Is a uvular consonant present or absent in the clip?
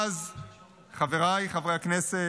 present